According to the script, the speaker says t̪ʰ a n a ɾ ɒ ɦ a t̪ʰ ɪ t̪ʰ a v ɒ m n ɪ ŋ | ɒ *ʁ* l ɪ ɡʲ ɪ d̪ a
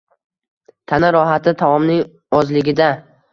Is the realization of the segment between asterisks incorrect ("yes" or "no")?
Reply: yes